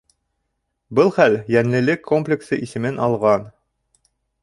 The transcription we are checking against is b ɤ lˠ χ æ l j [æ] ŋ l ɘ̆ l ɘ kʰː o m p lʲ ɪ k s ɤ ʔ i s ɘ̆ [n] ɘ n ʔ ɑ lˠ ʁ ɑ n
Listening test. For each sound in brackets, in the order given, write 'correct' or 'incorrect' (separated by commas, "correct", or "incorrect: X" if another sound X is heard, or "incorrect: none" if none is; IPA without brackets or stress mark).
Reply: correct, incorrect: m